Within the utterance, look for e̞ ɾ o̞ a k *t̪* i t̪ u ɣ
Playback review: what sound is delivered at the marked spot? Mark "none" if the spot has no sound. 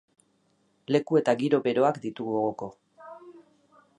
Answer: d̪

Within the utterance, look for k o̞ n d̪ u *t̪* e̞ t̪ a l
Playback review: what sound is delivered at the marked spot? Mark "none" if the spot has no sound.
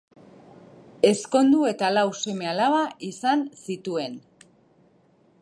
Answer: none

